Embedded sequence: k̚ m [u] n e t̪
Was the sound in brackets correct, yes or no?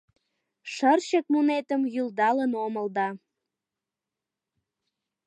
yes